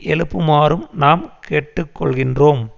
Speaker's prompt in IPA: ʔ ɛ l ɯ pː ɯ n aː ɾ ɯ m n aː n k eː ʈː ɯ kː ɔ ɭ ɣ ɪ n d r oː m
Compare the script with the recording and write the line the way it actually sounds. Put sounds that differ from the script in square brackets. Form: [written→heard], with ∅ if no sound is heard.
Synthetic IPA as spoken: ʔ ɛ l ɯ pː ɯ [n→m] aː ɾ ɯ m n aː [n→m] k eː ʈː ɯ kː ɔ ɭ ɣ ɪ n d r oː m